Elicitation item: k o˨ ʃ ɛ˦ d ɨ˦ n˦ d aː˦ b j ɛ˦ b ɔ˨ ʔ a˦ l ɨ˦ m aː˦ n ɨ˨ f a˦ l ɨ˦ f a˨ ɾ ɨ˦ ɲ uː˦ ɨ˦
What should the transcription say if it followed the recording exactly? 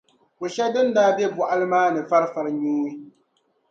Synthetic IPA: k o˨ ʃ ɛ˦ d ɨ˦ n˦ d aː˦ b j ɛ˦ b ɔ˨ ʔ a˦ l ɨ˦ m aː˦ n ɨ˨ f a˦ ɾ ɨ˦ f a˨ ɾ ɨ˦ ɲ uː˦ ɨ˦